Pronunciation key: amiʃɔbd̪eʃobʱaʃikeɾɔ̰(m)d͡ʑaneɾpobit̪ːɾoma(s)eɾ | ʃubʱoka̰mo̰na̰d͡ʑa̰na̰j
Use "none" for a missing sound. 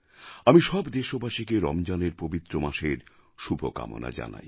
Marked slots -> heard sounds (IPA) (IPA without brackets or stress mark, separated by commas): m, ʃ